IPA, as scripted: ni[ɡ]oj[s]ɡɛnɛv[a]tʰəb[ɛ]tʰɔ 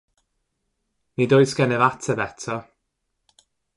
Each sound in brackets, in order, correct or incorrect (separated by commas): incorrect, correct, correct, correct